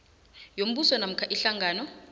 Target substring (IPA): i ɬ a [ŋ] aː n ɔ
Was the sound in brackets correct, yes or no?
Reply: yes